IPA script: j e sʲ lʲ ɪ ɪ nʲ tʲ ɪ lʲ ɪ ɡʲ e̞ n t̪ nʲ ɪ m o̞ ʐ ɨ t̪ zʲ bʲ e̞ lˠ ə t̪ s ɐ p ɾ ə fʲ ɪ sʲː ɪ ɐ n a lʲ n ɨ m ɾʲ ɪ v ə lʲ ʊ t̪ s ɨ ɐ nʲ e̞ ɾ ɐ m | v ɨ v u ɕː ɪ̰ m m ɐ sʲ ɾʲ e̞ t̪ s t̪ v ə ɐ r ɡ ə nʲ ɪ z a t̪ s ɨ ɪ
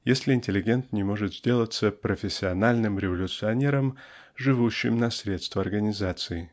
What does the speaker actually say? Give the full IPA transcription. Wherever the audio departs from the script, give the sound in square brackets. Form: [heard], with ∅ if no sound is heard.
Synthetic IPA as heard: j e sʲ lʲ ɪ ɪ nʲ tʲ ɪ lʲ ɪ ɡʲ e̞ n t̪ nʲ ɪ m o̞ ʐ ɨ t̪ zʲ [dʲ] e̞ lˠ ə t̪ s [ə] p ɾ ə fʲ ɪ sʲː ɪ ɐ n a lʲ n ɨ m ɾʲ ɪ v ə lʲ ʊ t̪ s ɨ ɐ nʲ e̞ ɾ [ə] m | [ʐ] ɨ v u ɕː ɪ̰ m [n] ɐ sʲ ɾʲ e̞ t̪ s t̪ v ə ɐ r ɡ ə nʲ ɪ z a t̪ s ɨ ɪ